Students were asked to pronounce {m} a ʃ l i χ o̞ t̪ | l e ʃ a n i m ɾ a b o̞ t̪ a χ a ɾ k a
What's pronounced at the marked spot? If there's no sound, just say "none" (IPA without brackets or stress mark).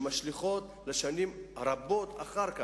m